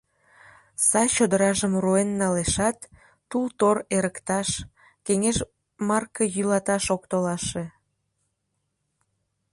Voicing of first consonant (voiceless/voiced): voiceless